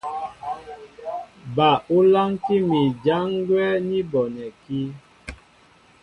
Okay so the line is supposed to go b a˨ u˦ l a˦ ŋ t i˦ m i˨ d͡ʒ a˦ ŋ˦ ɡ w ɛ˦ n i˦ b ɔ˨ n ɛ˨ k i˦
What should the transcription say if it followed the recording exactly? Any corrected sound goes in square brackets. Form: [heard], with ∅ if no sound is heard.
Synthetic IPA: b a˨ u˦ l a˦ ŋ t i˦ m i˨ d͡ʒ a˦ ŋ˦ ɡ w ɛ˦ n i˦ b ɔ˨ n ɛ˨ k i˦